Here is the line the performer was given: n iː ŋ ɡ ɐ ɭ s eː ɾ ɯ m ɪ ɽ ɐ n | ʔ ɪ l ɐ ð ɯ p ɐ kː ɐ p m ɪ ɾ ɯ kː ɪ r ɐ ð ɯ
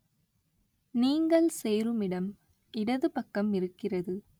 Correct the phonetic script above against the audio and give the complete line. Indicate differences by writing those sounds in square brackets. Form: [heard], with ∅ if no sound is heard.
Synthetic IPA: n iː ŋ ɡ ɐ ɭ s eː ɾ ɯ m ɪ ɽ ɐ [m] | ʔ ɪ [ɽ] ɐ ð ɯ p ɐ kː ɐ [∅] m ɪ ɾ ɯ kː ɪ r ɐ ð ɯ